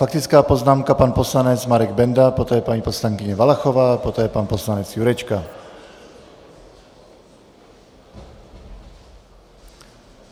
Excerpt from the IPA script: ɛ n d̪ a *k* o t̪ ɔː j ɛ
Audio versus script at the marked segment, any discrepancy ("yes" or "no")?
yes